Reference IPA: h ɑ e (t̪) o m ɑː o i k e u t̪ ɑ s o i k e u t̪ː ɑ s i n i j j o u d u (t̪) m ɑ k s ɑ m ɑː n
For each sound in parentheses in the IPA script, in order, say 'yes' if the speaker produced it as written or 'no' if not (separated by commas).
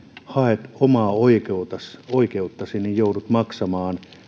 yes, yes